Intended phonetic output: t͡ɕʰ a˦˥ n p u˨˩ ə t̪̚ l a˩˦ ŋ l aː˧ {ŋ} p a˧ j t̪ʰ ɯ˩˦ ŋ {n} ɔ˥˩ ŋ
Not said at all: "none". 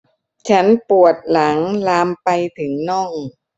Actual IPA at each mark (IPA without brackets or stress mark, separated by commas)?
m, n